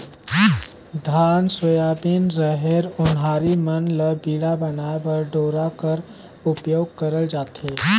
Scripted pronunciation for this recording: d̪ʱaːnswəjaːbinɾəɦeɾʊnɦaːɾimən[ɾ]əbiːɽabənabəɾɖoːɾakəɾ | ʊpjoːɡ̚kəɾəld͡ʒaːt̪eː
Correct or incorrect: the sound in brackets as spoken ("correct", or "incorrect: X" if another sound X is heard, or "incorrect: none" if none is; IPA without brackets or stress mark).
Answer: incorrect: l